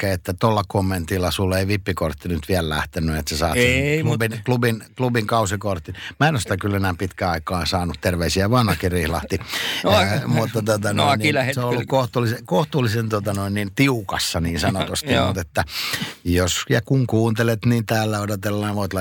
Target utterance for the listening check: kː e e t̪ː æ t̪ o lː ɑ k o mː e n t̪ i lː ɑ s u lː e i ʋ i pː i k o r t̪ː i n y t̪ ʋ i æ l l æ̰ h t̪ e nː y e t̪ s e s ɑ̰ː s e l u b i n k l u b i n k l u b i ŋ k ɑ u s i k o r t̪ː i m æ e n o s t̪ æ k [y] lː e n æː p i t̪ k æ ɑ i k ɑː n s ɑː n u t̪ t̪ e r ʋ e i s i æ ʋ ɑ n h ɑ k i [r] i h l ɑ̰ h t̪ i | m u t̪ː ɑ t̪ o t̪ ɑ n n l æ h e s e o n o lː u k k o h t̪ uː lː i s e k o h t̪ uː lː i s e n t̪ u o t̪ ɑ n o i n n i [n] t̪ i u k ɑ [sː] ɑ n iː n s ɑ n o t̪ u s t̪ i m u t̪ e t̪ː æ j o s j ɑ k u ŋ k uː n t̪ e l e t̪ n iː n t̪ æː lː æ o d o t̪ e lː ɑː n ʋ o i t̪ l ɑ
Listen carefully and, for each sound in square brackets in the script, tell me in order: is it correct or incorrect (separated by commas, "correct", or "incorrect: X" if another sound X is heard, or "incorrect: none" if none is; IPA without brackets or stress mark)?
correct, correct, correct, correct